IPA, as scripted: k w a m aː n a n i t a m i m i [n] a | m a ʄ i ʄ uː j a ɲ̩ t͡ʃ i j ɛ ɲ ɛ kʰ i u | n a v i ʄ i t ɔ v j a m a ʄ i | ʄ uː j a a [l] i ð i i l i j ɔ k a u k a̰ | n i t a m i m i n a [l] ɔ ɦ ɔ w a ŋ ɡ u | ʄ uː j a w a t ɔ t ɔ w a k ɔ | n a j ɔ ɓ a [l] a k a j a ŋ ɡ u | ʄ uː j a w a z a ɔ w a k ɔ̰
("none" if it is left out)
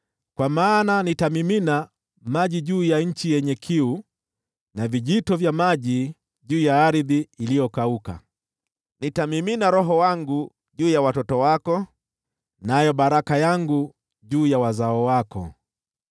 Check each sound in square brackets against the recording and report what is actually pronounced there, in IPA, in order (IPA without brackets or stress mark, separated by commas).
n, ɾ, ɾ, ɾ